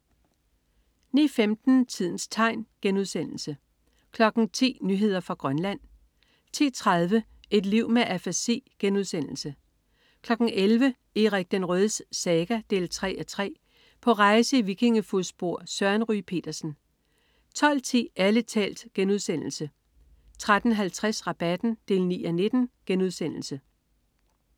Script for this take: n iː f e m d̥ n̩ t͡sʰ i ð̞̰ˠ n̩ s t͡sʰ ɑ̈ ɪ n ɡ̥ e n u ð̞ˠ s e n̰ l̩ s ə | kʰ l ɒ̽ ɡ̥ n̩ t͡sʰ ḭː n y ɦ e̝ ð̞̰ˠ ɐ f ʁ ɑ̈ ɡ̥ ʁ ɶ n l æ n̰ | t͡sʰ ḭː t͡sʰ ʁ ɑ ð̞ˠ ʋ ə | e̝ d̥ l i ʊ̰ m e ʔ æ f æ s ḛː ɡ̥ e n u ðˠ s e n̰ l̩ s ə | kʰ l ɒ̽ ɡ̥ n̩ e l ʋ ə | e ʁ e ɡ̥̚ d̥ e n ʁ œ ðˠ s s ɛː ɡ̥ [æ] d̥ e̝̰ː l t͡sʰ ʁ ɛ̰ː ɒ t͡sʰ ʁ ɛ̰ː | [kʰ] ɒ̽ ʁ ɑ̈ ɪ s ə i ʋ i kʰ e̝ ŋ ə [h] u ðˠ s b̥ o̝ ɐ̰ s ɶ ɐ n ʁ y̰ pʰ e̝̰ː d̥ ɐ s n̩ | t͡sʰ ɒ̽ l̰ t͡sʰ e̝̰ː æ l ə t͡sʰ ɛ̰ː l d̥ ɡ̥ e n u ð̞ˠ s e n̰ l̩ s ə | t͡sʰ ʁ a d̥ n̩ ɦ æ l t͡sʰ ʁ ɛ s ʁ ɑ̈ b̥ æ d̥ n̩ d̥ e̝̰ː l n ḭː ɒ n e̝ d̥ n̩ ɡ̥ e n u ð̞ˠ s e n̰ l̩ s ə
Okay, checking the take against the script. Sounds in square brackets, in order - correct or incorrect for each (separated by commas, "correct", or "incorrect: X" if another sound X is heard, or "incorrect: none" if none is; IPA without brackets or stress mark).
correct, incorrect: pʰ, incorrect: f